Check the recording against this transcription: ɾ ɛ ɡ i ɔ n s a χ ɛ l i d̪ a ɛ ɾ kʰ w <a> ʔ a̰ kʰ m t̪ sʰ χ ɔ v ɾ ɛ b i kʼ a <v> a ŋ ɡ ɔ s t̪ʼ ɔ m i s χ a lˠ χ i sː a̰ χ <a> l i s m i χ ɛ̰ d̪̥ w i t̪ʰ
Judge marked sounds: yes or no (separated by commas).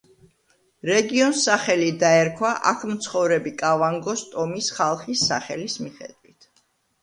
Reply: yes, yes, no